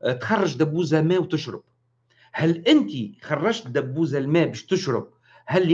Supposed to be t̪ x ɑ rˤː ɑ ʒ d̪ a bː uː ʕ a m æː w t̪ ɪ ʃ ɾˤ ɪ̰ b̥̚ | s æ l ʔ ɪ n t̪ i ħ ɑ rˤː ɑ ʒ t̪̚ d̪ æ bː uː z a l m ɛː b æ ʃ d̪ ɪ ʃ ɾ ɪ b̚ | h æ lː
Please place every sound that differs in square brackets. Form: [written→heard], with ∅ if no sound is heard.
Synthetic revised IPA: t̪ x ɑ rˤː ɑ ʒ d̪ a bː uː [ʕ→z] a m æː w t̪ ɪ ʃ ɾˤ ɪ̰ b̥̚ | [s→h] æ l ʔ ɪ n t̪ i [ħ→x] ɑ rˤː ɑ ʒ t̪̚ d̪ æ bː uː z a l m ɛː b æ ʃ [d̪→t̪] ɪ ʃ ɾ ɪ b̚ | h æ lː